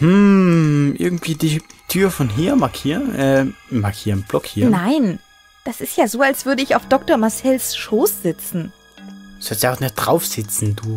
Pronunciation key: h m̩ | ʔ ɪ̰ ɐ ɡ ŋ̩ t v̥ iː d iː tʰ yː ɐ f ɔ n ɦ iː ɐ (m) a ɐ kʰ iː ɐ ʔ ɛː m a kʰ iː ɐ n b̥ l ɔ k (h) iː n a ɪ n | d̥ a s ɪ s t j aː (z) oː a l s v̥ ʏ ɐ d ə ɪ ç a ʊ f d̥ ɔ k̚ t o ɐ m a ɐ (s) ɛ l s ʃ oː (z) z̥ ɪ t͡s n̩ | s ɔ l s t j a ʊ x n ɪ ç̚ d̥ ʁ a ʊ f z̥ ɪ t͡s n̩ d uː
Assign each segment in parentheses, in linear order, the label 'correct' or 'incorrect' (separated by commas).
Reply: correct, correct, correct, correct, incorrect